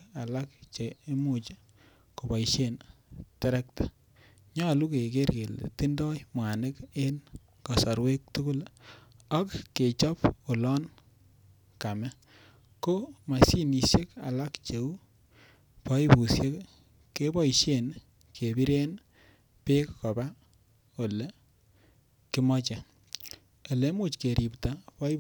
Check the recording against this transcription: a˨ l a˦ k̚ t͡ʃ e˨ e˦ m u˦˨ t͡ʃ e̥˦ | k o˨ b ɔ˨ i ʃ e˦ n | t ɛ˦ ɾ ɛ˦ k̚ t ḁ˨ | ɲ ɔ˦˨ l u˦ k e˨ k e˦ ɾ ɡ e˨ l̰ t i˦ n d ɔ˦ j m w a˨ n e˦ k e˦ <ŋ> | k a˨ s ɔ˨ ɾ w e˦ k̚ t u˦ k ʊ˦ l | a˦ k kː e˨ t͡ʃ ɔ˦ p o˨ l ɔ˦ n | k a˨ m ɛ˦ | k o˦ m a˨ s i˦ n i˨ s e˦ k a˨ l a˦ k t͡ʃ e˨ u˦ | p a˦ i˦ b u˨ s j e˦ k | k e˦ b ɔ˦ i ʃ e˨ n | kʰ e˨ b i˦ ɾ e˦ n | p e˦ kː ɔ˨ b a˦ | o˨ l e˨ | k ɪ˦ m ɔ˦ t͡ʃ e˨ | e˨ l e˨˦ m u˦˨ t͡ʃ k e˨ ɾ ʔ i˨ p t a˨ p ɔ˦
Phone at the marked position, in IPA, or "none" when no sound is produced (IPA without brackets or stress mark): n